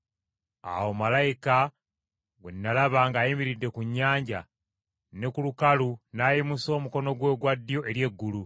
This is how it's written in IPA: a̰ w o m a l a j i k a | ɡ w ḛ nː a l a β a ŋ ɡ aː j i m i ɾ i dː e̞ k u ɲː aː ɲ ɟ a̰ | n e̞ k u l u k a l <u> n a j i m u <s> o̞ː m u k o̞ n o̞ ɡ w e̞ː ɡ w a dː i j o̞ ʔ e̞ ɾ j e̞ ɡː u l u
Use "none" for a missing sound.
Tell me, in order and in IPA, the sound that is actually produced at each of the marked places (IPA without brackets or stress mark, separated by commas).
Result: u, s